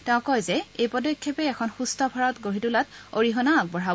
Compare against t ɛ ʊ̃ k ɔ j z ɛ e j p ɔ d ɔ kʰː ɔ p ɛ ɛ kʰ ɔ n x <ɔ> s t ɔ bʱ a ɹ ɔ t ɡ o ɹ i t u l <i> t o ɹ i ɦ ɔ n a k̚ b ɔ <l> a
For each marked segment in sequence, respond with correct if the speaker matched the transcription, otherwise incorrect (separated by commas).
incorrect, incorrect, incorrect